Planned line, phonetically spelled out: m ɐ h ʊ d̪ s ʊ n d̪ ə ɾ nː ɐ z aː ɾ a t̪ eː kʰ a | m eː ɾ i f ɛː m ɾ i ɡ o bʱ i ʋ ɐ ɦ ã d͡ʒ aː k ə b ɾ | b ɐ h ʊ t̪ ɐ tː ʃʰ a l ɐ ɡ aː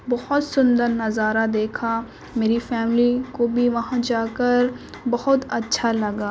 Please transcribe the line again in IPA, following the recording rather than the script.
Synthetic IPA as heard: b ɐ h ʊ t̪ s ʊ n d̪ ə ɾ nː ɐ z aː ɾ a d̪ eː kʰ a | m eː ɾ i f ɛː m l i k o bʱ i ʋ ɐ ɦ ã d͡ʒ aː k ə ɾ | b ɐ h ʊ t̪ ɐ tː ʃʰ a l ɐ ɡ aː